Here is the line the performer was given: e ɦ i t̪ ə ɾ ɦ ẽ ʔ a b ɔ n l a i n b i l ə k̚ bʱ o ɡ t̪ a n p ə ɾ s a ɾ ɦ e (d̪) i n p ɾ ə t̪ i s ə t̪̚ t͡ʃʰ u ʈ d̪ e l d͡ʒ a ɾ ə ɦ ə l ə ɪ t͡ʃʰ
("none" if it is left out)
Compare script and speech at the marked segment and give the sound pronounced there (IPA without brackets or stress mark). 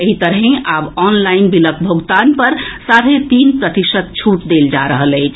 t̪